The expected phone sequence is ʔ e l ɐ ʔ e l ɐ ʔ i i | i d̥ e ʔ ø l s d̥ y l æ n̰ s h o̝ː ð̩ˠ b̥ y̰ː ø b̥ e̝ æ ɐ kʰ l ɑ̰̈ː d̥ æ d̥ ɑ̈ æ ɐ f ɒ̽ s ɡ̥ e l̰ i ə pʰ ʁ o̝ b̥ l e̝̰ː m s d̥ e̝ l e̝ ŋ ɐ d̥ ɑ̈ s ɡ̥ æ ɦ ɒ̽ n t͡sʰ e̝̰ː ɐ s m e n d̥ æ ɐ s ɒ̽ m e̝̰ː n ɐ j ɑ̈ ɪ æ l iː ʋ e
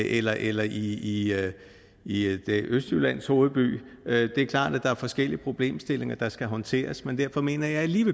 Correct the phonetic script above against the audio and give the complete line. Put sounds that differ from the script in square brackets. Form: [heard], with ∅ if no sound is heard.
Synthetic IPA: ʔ e l ɐ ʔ e l ɐ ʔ i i | i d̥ e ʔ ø [∅] s d̥ y l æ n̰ s h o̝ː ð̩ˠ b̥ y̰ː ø [d̥] e̝ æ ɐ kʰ l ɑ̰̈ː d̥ æ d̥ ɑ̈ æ ɐ f ɒ̽ s ɡ̥ e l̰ i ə pʰ ʁ o̝ b̥ l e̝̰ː m s d̥ e̝ l e̝ ŋ ɐ d̥ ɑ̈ s ɡ̥ æ ɦ ɒ̽ n t͡sʰ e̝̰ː ɐ s m e n d̥ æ ɐ [f] ɒ̽ m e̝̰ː n ɐ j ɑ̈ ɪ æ l iː ʋ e